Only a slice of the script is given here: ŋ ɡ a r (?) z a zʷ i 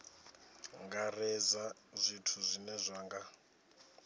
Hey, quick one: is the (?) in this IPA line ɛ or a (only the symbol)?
ɛ